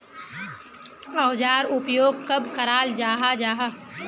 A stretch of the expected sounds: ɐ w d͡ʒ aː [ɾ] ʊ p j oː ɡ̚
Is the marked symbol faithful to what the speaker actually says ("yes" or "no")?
yes